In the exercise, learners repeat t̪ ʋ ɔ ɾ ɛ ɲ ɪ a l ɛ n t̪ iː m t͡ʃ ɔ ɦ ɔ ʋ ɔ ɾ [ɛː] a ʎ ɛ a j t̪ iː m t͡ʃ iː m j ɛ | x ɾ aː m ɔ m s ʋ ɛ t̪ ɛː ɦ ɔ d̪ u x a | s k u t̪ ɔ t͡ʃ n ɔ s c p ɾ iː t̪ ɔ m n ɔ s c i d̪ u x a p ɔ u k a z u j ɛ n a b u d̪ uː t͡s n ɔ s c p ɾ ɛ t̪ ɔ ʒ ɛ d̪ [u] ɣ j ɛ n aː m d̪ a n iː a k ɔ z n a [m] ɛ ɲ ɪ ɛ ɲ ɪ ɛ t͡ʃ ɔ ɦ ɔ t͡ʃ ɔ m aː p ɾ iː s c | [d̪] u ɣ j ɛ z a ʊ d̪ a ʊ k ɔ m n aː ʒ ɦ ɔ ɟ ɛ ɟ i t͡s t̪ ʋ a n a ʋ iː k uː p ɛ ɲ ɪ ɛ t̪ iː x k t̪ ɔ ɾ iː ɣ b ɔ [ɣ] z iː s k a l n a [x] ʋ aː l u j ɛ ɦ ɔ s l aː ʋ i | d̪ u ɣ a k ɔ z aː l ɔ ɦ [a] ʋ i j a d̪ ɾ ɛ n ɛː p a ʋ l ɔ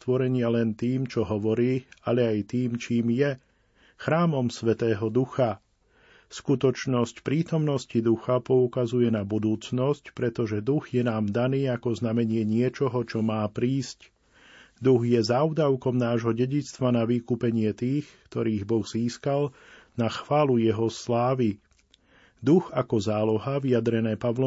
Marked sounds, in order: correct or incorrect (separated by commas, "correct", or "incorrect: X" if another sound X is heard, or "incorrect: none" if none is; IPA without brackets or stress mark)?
incorrect: iː, correct, correct, correct, correct, correct, correct